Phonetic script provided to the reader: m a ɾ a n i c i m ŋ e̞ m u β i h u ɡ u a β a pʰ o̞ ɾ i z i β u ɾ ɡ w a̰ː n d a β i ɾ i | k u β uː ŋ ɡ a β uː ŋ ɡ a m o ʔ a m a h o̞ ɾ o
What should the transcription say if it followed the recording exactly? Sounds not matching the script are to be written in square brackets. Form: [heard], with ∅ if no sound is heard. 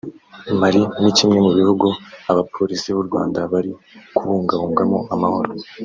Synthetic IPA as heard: m a ɾ [i] n i c i m ŋ e̞ m u β i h u ɡ u a β a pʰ o̞ ɾ i [s] i β u ɾ ɡ w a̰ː n d a β [a] ɾ i | k u β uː ŋ ɡ a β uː ŋ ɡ a m o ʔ a m a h o̞ ɾ o